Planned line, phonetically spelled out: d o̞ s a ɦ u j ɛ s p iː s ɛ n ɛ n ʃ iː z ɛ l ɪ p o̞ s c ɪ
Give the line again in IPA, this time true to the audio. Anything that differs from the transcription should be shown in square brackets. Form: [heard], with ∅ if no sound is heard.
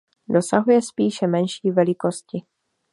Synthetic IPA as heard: d o̞ s a ɦ u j ɛ s p iː [ʃ] ɛ [m] ɛ n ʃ iː [v] ɛ l ɪ [k] o̞ s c ɪ